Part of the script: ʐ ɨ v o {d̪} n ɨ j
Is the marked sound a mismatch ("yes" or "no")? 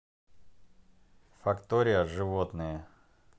yes